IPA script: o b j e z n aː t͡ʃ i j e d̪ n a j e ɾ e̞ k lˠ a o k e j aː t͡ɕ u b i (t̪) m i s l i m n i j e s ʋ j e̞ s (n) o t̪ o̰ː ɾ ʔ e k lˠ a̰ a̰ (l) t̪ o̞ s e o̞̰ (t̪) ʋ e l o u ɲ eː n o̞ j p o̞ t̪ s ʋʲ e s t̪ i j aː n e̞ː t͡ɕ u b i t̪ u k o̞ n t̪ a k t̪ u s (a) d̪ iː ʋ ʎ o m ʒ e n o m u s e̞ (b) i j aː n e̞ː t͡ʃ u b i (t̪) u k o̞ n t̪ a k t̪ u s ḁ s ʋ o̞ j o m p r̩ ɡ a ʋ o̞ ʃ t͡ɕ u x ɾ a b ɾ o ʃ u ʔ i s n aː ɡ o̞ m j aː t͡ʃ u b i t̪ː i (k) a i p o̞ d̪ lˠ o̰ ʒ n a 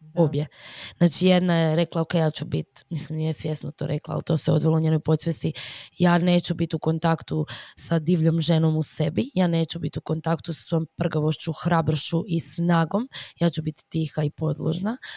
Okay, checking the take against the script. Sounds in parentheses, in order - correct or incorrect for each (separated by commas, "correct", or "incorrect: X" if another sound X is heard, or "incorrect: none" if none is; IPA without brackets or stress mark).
correct, correct, correct, incorrect: d̪, correct, correct, correct, incorrect: x